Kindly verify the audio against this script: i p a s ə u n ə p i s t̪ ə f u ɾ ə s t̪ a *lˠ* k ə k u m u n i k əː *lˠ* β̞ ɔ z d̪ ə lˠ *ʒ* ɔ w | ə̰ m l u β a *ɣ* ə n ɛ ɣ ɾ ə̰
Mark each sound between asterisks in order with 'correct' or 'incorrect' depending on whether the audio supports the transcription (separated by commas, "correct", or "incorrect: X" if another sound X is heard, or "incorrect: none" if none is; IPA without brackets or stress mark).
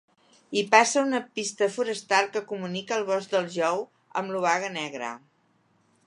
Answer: correct, correct, correct, correct